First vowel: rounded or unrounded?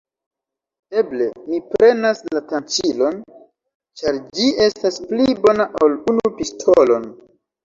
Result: unrounded